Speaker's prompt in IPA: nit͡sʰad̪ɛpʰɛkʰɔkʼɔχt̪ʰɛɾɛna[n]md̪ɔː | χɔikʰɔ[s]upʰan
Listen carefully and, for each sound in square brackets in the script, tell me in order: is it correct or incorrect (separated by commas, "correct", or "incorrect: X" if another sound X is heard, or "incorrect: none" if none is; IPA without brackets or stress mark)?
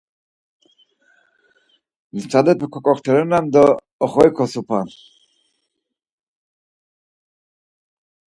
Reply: incorrect: none, correct